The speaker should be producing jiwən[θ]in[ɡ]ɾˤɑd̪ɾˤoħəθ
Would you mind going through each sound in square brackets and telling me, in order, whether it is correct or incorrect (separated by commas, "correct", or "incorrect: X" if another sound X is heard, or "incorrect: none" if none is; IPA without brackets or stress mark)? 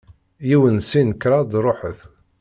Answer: incorrect: s, incorrect: k